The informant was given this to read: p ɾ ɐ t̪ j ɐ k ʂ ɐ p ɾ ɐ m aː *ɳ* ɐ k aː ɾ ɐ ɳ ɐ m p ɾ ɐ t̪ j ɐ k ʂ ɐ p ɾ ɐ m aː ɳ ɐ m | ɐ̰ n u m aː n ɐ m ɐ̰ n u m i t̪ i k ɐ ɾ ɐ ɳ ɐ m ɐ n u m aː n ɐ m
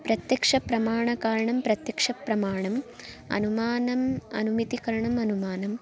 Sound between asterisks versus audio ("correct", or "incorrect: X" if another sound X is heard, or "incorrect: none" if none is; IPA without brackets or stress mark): correct